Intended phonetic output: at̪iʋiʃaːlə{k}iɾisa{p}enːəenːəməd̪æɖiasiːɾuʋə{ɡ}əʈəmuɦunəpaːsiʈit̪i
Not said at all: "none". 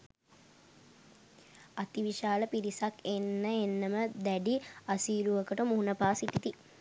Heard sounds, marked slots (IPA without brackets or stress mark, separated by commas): p, k, k